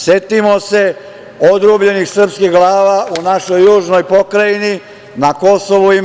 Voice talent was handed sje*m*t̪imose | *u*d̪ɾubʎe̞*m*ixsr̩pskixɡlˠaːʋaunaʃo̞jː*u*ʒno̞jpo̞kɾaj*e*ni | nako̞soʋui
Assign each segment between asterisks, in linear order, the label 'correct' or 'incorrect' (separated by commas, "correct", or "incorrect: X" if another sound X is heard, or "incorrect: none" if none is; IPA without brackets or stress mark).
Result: incorrect: none, incorrect: o, incorrect: n, incorrect: uː, incorrect: i